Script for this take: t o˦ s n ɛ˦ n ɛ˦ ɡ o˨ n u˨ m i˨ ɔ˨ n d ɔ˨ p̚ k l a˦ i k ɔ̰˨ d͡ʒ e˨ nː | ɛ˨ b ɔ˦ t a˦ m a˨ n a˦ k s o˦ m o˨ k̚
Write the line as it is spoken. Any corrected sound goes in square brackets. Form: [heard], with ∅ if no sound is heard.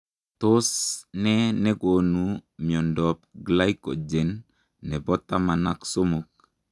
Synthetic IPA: t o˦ s n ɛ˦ n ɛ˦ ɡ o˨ n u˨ m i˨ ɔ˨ n d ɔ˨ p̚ [ɡ] l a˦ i k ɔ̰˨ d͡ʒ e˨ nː | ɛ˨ b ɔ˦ t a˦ m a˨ n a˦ k s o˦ m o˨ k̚

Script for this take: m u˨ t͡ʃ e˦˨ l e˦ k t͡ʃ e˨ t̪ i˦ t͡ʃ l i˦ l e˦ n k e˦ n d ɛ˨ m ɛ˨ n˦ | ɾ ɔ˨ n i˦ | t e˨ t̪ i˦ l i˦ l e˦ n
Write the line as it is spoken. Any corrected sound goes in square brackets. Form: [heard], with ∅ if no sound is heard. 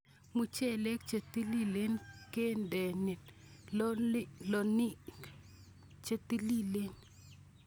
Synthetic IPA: m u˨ t͡ʃ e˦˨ l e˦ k t͡ʃ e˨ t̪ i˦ [∅] l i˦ l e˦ n k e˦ n d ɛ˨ [n] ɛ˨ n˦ | [l] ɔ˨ n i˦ | [t͡ʃ] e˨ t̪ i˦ l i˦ l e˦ n

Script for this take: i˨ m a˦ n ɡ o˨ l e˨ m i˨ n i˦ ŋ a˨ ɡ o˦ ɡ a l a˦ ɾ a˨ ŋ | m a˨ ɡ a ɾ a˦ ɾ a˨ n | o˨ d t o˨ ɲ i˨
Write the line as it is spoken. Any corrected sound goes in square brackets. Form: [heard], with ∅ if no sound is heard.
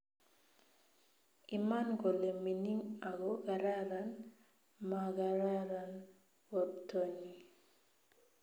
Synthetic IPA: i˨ m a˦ n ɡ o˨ l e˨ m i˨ n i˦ ŋ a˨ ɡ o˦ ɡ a [ɾ] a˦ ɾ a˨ [n] | m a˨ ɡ a ɾ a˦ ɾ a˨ n | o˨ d t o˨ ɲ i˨

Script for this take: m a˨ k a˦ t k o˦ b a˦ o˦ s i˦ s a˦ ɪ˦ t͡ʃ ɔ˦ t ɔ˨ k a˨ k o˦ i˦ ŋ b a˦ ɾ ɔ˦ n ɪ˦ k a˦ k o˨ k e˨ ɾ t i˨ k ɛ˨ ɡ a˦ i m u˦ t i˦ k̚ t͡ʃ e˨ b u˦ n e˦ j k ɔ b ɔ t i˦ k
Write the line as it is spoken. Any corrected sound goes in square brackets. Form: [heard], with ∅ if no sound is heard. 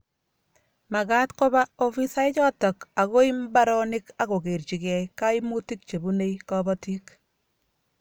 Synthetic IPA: m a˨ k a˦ t k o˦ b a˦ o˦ [f] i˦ s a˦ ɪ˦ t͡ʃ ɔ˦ t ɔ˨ k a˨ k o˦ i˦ [m] b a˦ ɾ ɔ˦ n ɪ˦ k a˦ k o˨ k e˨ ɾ [t͡ʃ] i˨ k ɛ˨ [k] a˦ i m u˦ t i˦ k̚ t͡ʃ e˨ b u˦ n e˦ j k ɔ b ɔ t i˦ k

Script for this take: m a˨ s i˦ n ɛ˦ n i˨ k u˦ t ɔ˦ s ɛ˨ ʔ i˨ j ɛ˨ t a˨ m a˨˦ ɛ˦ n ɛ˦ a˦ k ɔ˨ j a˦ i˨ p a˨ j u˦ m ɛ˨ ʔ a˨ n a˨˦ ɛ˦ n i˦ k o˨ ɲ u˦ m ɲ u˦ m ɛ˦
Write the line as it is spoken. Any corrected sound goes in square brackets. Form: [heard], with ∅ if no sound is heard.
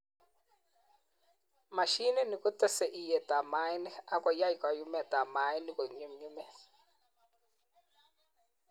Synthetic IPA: m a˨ [ʃ] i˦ n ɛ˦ n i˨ k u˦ t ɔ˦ s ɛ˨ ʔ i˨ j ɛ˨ t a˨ m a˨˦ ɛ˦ n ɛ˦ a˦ k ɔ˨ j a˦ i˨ [k] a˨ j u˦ m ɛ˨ [t] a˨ [m] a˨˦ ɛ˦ n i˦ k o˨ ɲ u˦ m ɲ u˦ m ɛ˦

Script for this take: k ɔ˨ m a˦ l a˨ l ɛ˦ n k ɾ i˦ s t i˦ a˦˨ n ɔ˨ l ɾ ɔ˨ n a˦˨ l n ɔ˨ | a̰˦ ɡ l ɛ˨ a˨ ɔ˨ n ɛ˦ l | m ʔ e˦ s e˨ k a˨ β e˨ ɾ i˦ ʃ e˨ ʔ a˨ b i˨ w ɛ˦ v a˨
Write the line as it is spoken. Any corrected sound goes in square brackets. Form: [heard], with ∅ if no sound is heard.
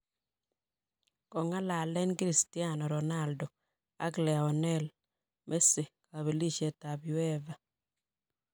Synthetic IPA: k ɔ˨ [ŋ] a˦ l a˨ l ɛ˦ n k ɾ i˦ s t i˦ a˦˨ n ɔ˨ [∅] ɾ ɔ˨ n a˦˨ l [d] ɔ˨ | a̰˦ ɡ l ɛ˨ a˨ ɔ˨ n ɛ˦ l | m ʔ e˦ s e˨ k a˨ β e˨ [l] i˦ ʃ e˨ [t] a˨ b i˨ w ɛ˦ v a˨

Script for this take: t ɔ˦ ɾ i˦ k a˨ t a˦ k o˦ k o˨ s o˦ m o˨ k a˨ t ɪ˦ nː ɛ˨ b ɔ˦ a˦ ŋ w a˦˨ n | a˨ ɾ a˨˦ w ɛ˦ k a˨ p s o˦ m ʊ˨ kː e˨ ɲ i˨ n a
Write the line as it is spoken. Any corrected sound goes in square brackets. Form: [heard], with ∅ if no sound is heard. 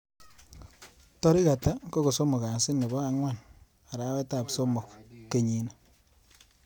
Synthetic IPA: t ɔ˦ ɾ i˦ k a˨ t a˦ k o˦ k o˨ s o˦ m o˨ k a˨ [s] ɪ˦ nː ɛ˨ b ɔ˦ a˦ ŋ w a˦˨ n | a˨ ɾ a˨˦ w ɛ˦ [t] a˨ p s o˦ m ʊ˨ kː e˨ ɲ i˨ n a

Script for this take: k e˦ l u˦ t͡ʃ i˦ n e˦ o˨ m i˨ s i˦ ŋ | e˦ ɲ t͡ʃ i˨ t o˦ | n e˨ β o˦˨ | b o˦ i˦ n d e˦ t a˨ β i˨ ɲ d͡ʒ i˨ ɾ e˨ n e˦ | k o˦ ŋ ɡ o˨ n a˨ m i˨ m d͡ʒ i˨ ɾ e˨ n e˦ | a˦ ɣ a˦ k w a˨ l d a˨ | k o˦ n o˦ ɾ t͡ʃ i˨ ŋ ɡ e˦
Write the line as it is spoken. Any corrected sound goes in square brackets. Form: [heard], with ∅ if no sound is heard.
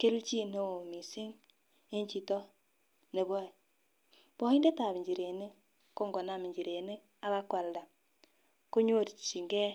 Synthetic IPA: k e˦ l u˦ t͡ʃ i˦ n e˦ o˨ m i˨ s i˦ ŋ | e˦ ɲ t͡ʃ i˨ t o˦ | n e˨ β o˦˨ | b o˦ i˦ n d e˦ t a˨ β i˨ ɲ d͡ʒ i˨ ɾ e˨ n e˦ | k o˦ ŋ ɡ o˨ n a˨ m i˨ [ɲ] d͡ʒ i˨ ɾ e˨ n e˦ | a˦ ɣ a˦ k w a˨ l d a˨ | k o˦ [ɲ] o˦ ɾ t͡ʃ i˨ ŋ ɡ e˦

